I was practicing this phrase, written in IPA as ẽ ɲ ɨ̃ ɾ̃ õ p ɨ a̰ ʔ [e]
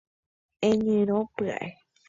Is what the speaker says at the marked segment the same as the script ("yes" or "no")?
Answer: yes